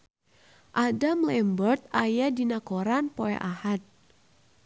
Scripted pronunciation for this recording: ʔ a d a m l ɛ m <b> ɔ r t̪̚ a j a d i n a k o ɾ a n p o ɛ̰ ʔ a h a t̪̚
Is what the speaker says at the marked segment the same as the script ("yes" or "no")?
yes